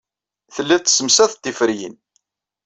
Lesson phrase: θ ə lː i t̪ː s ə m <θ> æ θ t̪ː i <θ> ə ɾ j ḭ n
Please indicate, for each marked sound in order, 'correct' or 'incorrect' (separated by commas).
incorrect, incorrect